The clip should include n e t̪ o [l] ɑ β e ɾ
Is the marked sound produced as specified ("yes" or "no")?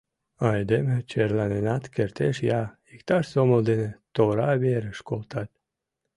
no